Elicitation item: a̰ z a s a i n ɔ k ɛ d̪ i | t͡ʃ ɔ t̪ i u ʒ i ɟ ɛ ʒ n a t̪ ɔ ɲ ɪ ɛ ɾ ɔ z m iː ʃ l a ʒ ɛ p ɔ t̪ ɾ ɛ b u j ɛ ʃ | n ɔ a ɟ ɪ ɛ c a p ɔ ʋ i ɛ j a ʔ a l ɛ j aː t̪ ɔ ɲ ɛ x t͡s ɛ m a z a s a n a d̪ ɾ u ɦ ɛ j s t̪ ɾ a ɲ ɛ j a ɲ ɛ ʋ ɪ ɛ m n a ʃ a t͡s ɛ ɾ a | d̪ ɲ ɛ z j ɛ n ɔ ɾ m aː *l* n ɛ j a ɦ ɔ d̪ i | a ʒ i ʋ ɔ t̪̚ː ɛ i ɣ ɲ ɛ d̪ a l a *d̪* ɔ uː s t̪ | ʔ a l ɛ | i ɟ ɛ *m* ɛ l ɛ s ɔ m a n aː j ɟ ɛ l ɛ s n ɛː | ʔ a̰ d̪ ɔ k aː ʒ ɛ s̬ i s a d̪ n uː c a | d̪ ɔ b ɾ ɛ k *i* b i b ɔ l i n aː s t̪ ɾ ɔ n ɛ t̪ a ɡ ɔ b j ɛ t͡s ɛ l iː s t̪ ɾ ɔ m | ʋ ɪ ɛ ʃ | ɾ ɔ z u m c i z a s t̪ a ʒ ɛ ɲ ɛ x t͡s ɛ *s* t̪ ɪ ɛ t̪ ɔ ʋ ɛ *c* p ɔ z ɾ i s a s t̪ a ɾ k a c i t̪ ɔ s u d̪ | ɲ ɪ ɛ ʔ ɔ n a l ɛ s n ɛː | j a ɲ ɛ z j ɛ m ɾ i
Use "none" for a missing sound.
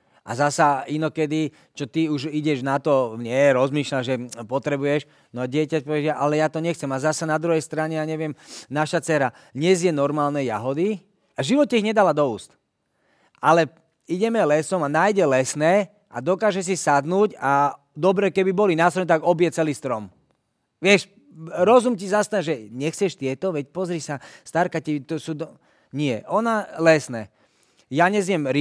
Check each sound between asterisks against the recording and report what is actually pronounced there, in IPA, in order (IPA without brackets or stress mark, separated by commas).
l, d̪, m, ɛ, ʃ, c